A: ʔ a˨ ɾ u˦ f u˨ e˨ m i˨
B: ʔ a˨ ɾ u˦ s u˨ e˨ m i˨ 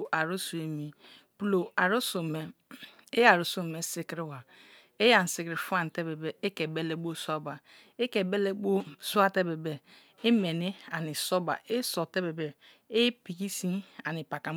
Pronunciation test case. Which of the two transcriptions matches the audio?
B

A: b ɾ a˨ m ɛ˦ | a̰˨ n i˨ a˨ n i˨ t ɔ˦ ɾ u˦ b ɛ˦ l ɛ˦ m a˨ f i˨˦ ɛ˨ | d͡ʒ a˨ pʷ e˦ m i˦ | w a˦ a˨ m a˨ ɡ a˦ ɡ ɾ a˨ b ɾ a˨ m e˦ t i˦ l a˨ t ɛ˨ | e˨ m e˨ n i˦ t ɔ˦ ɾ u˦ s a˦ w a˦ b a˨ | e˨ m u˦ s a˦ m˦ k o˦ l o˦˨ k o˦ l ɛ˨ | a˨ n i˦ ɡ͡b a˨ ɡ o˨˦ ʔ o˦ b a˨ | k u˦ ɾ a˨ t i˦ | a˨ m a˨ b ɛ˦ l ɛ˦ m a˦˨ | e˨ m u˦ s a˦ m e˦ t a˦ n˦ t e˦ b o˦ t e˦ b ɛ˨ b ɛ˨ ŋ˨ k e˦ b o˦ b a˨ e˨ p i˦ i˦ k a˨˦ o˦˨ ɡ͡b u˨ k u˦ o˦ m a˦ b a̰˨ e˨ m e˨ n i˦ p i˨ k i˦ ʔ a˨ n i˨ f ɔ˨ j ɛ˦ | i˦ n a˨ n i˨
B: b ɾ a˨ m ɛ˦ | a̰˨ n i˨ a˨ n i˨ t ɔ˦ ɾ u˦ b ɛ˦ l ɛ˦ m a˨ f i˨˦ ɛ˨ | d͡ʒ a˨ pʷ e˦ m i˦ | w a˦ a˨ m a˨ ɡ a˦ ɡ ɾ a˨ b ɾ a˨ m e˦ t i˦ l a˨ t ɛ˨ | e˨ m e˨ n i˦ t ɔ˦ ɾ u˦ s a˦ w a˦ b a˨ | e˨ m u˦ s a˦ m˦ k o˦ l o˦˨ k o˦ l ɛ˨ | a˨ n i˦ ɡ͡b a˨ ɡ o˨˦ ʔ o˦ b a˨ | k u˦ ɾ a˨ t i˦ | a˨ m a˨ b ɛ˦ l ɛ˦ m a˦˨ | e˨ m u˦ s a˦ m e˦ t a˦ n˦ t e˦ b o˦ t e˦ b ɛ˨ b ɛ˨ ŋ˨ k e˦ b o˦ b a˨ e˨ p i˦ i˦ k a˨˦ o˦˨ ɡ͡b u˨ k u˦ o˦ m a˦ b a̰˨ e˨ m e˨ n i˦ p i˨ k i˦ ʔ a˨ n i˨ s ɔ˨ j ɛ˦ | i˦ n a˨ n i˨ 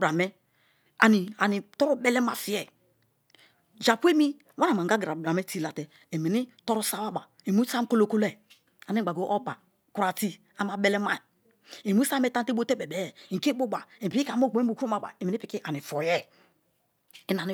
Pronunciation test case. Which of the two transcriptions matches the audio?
A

